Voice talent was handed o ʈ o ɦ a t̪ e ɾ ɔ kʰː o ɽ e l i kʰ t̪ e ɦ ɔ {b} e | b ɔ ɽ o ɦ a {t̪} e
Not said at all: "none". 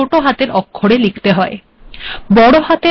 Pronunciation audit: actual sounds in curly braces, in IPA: none, t̪

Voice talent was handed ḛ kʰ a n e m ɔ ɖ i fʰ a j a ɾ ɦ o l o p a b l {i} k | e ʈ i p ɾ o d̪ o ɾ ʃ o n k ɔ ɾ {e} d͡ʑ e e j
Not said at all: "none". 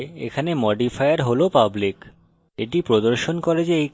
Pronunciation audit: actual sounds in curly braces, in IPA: i, e

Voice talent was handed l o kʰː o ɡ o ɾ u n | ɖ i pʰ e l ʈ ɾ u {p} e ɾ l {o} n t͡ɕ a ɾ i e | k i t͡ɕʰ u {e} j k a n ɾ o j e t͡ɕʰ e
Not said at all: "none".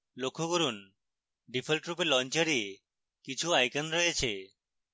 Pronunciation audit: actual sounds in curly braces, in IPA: p, ɔ, a

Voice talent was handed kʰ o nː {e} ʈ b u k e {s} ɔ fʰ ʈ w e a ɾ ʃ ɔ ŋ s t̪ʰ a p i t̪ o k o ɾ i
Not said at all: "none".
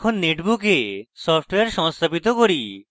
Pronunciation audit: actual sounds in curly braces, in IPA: e, s

